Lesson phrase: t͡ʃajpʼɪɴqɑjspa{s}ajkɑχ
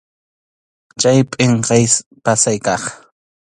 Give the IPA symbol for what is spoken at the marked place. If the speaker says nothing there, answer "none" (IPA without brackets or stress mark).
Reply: s